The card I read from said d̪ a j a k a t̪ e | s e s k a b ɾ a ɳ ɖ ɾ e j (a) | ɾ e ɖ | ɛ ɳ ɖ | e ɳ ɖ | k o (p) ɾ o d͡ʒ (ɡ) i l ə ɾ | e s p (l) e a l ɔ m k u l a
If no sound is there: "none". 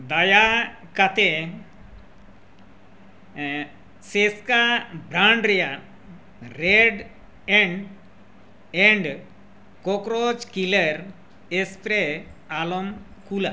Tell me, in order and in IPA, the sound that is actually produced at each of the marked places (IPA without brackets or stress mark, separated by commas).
a, k, k, ɾ